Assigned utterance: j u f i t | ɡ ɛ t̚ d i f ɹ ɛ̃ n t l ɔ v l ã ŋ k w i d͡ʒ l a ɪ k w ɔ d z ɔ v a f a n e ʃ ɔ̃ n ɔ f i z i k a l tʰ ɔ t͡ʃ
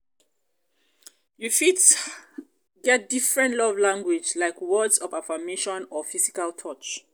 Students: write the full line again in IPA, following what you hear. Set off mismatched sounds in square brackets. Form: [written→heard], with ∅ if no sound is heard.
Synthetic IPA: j u f i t | ɡ ɛ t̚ d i f ɹ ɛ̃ n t l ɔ v l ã ŋ [k→ɡ] w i d͡ʒ l a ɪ k w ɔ d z ɔ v a f a [n→m] e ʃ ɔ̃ n ɔ f i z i k a l tʰ ɔ t͡ʃ